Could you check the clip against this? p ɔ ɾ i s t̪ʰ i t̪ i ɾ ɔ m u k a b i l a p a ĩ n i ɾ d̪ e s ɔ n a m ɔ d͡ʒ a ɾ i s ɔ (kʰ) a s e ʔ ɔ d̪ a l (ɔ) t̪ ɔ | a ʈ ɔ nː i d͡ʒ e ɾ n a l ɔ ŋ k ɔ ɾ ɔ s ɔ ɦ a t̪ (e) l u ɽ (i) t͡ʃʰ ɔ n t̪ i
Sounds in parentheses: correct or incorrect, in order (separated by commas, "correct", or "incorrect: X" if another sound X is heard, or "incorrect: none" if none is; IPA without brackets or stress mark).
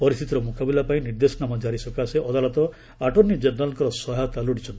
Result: incorrect: k, correct, incorrect: a, correct